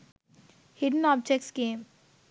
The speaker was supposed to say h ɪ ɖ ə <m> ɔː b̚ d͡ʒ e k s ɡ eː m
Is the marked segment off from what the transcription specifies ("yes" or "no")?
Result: yes